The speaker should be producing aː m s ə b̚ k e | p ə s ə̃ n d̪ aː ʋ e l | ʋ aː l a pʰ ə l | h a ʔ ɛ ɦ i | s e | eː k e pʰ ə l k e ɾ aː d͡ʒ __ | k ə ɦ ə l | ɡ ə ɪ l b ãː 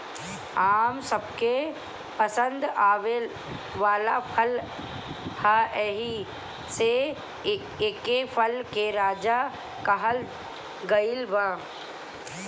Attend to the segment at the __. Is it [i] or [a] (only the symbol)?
a